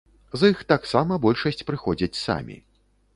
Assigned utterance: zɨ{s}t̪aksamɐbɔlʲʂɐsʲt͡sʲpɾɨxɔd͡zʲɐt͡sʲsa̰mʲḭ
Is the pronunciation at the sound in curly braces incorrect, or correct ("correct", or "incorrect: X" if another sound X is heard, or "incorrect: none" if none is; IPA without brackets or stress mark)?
incorrect: x